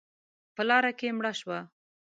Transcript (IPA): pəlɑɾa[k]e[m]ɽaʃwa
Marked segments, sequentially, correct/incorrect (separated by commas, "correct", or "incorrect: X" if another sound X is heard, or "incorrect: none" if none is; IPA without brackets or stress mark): correct, correct